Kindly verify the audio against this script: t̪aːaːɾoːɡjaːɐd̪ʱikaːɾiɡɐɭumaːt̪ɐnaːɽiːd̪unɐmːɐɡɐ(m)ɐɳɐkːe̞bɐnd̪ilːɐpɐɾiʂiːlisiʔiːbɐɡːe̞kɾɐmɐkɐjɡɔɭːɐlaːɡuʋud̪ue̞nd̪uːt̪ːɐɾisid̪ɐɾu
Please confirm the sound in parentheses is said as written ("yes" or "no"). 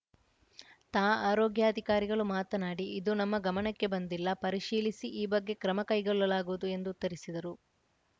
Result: yes